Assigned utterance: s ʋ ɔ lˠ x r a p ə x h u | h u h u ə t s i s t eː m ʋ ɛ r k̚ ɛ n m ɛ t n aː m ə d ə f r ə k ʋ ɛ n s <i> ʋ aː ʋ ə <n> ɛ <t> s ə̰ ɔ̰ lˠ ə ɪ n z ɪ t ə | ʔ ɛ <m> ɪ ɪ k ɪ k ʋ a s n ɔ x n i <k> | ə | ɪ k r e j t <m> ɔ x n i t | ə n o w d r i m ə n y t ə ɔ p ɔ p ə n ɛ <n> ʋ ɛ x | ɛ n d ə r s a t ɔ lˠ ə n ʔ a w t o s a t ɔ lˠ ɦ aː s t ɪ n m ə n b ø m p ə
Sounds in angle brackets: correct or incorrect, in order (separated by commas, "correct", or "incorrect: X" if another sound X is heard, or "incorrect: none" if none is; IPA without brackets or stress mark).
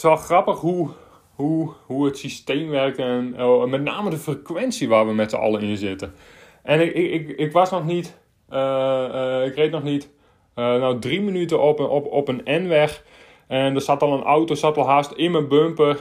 correct, incorrect: m, correct, incorrect: n, incorrect: t, incorrect: n, correct